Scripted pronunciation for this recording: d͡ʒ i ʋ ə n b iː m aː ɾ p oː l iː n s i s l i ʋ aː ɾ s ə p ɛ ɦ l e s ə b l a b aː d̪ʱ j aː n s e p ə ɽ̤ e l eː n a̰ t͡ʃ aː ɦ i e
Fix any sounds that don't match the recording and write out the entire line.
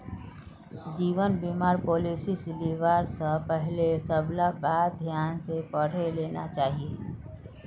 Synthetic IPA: d͡ʒ iː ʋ ə n b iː m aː ɾ p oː l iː s i s l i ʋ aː ɾ s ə p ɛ ɦ l e s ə b l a b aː d̪ʱ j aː n s e p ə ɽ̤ e l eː n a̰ t͡ʃ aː ɦ i e